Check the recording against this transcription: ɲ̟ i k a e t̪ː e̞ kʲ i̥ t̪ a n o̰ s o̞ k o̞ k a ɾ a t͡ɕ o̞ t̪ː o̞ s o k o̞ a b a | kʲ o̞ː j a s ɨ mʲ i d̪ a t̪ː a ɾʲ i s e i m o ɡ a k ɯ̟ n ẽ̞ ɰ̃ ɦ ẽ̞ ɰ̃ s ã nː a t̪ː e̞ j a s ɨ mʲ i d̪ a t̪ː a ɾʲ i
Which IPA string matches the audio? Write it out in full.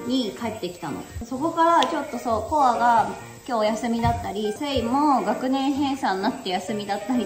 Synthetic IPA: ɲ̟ i k a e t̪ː e̞ kʲ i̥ t̪ a n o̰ s o̞ k o̞ k a ɾ a t͡ɕ o̞ t̪ː o̞ s o k o̞ a ɡ a | kʲ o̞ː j a s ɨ mʲ i d̪ a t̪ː a ɾʲ i s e i m o ɡ a k ɯ̟ n ẽ̞ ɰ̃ ɦ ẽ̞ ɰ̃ s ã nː a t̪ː e̞ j a s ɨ mʲ i d̪ a t̪ː a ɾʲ i